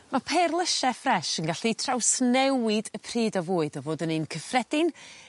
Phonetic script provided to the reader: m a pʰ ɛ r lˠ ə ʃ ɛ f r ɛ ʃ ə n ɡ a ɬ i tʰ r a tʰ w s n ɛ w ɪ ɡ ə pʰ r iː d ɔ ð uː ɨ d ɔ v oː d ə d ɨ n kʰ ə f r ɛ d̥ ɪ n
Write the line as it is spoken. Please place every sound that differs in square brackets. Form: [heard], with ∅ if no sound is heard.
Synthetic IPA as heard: m a pʰ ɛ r lˠ ə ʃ ɛ f r ɛ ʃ ə n ɡ a ɬ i tʰ r a [∅] w s n ɛ w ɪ [d] ə pʰ r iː d ɔ [v] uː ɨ d ɔ v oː d ə [n] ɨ n kʰ ə f r ɛ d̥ ɪ n